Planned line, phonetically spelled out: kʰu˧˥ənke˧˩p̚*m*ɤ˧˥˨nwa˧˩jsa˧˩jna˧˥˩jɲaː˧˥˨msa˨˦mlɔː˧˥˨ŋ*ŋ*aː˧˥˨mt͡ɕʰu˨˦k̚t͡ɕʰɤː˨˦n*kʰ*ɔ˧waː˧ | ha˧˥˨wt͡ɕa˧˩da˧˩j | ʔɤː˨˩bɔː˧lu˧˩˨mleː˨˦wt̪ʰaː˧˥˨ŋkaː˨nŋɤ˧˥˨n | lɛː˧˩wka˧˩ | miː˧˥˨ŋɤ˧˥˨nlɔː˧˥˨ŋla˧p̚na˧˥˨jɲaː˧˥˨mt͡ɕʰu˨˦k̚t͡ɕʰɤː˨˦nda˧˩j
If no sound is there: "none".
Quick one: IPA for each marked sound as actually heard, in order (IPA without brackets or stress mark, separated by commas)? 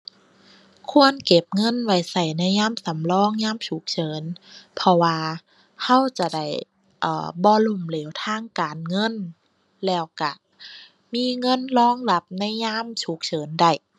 ŋ, ɲ, pʰ